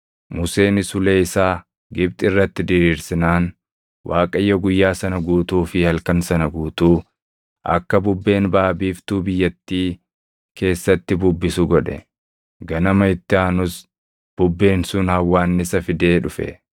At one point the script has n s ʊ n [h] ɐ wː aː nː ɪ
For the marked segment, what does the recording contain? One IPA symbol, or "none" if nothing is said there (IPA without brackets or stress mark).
h